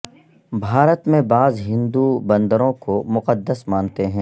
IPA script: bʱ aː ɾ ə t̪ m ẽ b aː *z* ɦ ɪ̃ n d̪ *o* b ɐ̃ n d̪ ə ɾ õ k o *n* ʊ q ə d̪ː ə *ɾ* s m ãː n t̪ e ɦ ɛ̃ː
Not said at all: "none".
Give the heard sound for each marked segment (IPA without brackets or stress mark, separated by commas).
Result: z, u, m, none